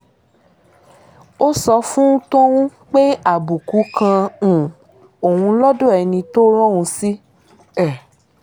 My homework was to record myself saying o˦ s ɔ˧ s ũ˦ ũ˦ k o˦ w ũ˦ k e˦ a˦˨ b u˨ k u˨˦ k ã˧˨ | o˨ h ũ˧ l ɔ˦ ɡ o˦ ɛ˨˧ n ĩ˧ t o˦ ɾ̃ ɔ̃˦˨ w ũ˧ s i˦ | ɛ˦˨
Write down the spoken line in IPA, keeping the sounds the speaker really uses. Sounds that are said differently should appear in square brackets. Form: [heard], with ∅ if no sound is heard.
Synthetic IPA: o˦ s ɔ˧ [f] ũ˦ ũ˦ [t] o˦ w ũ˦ [k͡p] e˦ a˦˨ b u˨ k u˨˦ k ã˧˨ | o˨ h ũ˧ l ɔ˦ [d] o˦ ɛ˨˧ n ĩ˧ t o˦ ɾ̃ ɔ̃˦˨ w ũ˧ s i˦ | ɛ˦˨

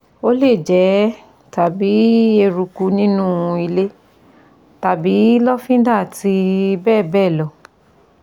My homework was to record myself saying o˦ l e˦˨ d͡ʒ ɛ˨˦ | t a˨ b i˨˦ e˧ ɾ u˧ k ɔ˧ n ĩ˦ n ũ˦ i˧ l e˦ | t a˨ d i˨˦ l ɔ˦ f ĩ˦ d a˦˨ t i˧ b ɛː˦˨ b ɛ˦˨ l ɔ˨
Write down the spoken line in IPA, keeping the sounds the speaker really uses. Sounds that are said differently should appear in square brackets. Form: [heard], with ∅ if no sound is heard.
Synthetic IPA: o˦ l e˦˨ d͡ʒ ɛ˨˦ | t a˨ b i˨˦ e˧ ɾ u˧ k [u˧] n ĩ˦ n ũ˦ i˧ l e˦ | t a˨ [b] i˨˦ l ɔ˦ f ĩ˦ d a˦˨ t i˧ b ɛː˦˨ b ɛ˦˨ l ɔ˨

